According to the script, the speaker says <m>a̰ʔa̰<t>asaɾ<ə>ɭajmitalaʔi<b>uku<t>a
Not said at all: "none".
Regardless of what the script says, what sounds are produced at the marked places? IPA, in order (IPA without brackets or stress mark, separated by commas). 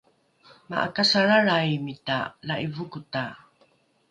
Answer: m, k, a, v, t